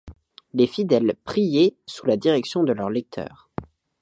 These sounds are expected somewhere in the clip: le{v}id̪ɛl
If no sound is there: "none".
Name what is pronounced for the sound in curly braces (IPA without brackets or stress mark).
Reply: f